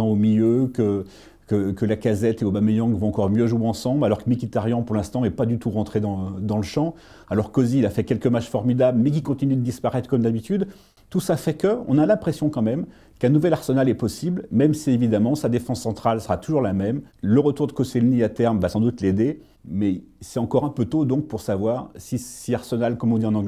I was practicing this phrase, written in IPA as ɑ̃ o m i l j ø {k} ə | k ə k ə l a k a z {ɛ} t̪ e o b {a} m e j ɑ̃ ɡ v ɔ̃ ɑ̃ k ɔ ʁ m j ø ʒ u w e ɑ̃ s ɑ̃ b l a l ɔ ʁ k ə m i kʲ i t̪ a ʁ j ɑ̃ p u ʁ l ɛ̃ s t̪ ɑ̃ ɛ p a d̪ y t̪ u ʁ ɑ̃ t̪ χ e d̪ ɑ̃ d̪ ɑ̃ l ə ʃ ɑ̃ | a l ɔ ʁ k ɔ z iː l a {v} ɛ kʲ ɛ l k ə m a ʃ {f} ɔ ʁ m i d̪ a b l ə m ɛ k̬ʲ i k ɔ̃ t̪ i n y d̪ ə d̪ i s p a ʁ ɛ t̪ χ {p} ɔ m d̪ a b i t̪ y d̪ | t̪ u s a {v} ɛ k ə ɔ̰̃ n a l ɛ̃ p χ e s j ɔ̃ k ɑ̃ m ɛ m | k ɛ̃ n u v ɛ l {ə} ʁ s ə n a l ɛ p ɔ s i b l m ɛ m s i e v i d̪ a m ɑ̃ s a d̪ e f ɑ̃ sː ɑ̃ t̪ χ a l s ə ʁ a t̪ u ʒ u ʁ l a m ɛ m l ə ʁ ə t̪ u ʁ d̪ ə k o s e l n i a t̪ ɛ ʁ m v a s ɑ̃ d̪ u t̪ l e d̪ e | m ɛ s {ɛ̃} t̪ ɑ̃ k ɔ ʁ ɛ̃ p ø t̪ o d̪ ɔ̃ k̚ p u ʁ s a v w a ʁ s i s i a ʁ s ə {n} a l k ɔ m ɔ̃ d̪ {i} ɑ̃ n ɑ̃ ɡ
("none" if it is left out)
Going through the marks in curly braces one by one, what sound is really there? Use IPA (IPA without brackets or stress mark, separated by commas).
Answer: k, ɛ, a, f, f, k, f, a, ɛ, n, i